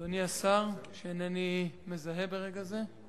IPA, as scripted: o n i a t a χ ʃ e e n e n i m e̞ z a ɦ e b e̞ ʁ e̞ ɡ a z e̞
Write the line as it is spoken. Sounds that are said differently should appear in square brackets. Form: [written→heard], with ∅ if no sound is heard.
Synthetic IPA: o n i a [t→s] a [χ→ʁ] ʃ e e n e n i m e̞ z a ɦ e b e̞ ʁ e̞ ɡ a z e̞

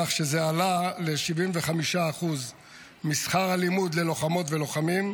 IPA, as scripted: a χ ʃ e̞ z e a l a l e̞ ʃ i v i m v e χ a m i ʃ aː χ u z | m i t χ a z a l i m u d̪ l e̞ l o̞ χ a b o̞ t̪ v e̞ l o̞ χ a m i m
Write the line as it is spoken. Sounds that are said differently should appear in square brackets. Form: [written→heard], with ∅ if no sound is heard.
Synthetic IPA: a χ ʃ e̞ z e a l a l e̞ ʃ i v i m v e χ a m i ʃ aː χ u z | m i [t→s] χ a [z→ʁ] a l i m u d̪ l e̞ l o̞ χ a [b→m] o̞ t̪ v e̞ l o̞ χ a m i m

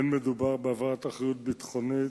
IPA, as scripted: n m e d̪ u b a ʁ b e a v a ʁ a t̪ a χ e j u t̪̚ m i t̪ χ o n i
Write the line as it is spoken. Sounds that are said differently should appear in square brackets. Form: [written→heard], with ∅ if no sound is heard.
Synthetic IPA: n m e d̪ u b a ʁ b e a v a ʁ a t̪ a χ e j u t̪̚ [m→b] i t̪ χ o n i

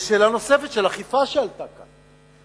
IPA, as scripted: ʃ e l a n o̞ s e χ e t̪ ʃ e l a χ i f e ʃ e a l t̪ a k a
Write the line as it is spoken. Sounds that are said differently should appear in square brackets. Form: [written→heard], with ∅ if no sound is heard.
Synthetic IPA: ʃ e l a n o̞ s e [χ→f] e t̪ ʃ e l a χ i f [e→a] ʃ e a l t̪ a k a

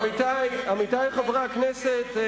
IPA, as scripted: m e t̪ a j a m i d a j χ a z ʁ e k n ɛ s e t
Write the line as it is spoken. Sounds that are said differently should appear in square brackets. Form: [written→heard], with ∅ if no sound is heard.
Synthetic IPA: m [e→i] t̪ a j a m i [d→t] a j χ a [z→v] ʁ [e→a] k n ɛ s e t

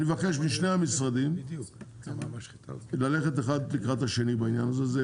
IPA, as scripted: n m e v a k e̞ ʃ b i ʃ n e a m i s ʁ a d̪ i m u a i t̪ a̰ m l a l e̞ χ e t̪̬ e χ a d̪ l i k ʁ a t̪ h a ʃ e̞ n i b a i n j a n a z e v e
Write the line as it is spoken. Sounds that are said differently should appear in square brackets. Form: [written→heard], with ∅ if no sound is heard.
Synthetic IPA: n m e v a k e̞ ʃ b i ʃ n e a m i s ʁ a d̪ i m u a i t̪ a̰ [m→∅] l a l e̞ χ e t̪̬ e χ a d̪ l i k ʁ a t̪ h a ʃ e̞ n i b a i n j a n a z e [v→z] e

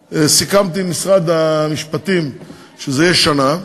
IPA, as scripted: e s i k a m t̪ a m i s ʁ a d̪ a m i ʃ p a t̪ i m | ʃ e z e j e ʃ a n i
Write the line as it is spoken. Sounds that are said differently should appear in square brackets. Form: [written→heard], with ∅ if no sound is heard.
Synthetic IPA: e s i k a m t̪ [a→i] m i s ʁ a d̪ a m i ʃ p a t̪ i m | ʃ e z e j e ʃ a n [i→a]

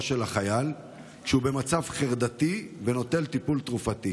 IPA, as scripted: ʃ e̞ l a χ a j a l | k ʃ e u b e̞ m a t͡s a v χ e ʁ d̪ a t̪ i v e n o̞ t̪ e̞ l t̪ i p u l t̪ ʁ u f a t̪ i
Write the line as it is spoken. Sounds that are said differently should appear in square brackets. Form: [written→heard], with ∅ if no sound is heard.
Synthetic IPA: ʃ e̞ l a χ a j a l | k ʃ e u b e̞ m a t͡s a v χ e ʁ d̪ a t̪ i v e n o̞ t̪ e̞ l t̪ i p u l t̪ ʁ u f a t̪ i

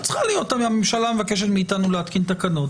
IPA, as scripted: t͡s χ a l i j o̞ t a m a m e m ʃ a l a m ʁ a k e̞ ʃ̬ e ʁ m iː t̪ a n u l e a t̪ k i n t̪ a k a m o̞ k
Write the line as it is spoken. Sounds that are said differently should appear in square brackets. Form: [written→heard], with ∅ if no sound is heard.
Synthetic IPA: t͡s χ a l i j o̞ t a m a m e m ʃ a l a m [ʁ→v] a k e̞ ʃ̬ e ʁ m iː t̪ a n u l e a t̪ k i n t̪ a k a [m→n] o̞ [k→t]

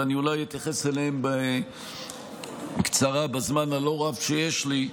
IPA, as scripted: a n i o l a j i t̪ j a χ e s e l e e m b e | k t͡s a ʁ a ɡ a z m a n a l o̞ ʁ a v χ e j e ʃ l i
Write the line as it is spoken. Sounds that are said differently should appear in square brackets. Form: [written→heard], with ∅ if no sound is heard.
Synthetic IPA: a n i [o→u] l a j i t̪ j a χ e s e l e e m b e | k t͡s a ʁ a [ɡ→b] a z m a n a l o̞ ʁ a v [χ→ʃ] e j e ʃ l i

